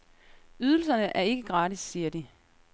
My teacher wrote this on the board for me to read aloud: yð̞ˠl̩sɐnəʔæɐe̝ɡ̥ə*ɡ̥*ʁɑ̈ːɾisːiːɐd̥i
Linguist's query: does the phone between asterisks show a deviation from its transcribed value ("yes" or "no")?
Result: no